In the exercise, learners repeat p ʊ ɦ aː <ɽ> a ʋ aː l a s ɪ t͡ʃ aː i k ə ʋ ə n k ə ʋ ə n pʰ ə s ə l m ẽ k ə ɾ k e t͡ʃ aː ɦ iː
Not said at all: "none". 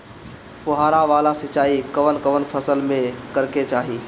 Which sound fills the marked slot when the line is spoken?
ɾ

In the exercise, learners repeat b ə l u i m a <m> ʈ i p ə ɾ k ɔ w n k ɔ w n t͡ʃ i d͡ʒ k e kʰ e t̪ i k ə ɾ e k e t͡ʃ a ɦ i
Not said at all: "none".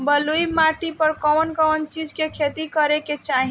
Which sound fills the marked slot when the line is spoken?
none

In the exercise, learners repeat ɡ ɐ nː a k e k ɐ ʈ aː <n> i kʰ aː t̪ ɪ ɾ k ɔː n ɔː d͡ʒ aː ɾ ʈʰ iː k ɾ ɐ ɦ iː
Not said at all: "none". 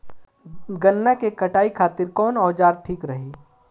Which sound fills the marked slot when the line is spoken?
none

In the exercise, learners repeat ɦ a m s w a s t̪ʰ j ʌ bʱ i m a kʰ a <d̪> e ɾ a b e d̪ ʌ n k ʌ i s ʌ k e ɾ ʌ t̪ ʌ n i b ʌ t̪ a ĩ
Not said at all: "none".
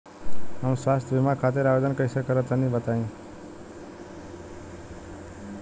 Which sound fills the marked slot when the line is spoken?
t̪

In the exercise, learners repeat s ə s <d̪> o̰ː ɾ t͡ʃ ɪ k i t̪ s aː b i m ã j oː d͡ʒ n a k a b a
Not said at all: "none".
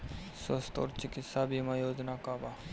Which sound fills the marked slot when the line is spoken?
t̪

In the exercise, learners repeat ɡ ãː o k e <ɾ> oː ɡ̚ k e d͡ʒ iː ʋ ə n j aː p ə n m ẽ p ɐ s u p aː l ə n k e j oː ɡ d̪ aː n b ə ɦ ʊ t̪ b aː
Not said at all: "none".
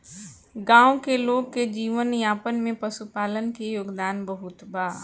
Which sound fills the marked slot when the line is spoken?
l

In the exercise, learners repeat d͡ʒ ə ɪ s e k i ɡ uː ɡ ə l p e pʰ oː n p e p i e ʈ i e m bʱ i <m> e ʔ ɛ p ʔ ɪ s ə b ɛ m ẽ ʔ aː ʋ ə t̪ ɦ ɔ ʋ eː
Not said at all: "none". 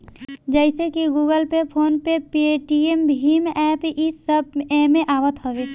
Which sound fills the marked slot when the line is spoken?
m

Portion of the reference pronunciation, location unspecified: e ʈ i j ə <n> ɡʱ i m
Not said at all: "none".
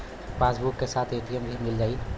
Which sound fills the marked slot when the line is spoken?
m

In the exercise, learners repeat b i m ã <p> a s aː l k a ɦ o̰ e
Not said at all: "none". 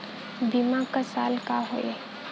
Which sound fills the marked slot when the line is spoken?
k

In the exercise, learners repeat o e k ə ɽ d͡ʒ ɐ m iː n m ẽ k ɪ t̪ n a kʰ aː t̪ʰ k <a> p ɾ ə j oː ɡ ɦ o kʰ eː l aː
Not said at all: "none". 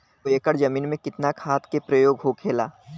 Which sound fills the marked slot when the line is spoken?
e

